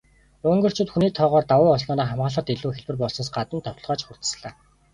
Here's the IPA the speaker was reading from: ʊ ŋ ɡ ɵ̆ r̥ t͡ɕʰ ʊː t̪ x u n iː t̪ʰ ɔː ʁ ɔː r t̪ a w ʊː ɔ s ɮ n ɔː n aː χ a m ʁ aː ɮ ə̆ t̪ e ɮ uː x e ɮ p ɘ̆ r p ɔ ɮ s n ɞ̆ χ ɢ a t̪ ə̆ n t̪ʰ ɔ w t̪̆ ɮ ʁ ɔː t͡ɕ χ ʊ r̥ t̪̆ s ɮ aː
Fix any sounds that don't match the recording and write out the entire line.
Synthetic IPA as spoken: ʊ ŋ ɡ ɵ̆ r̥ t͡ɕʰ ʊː t̪ x u n iː t̪ʰ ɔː ʁ ɔː r t̪ a w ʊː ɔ s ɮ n ɔː n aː χ a m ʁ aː ɮ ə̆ t̪ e ɮ uː x e ɮ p ɘ̆ r p ɔ ɮ s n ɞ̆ s ɢ a t̪ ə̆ n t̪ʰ ɔ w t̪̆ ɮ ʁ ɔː t͡ɕ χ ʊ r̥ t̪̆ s ɮ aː